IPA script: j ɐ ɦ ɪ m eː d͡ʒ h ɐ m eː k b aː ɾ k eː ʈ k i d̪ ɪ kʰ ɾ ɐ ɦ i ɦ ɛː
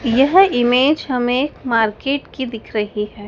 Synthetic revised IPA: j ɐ ɦ ɪ m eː d͡ʒ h ɐ m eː k m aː ɾ k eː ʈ k i d̪ ɪ kʰ ɾ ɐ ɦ i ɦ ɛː